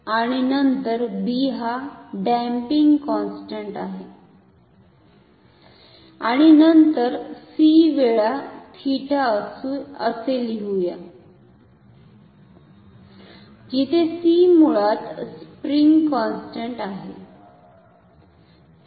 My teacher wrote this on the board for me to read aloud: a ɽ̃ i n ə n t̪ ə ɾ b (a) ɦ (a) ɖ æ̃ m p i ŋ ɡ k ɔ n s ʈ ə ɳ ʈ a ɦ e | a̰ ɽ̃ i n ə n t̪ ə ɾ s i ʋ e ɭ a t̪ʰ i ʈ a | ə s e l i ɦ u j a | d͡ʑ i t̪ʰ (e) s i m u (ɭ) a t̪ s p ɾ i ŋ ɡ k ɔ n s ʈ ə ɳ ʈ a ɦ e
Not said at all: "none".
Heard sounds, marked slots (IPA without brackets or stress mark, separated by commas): i, a, e, ɭ